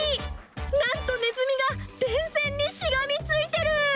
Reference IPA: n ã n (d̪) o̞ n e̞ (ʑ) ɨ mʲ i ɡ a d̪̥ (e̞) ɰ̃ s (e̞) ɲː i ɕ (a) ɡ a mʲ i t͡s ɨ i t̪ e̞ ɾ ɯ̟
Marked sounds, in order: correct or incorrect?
incorrect: t̪, incorrect: z, incorrect: ẽ̞, incorrect: ẽ̞, incorrect: i

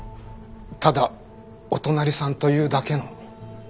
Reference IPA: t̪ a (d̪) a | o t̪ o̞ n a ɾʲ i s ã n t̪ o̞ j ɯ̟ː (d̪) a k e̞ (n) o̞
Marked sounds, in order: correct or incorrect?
correct, correct, correct

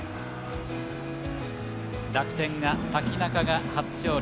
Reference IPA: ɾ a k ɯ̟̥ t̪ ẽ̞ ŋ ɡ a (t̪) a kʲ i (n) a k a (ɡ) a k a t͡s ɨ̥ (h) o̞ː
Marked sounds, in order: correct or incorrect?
correct, correct, correct, incorrect: ɕ

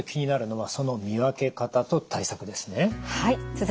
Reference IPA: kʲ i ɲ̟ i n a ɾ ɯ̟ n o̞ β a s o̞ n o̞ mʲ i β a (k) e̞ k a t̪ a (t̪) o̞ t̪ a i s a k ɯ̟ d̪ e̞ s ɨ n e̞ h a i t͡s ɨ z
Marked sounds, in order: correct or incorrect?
correct, correct

